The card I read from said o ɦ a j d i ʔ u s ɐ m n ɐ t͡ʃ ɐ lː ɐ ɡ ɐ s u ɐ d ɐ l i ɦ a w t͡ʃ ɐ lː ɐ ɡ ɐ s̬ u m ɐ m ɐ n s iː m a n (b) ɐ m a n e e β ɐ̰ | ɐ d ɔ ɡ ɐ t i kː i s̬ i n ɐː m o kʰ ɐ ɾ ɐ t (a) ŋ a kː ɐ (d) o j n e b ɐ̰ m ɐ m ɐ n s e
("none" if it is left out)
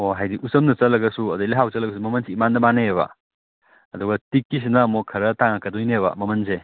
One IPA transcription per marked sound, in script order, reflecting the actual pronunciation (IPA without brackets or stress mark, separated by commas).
d, a, d